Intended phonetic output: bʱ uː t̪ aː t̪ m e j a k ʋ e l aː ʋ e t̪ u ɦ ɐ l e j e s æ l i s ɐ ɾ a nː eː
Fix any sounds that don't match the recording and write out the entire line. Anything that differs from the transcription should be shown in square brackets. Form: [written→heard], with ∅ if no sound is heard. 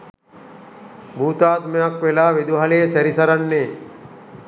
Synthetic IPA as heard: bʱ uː t̪ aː t̪ m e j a k ʋ e l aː ʋ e [t̪→d̪] u ɦ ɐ l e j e s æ [l→ɾ] i s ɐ ɾ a nː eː